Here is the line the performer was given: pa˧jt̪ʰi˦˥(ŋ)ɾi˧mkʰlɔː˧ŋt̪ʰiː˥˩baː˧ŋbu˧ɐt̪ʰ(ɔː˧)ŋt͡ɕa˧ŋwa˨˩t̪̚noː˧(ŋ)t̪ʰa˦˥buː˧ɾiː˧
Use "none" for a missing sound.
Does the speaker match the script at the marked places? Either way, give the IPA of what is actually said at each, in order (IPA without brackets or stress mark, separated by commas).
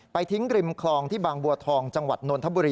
ŋ, ɔː˧, n